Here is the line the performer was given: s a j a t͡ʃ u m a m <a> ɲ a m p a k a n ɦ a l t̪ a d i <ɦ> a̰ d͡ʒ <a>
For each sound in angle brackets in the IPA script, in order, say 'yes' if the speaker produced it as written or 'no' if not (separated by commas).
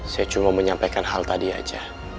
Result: no, no, yes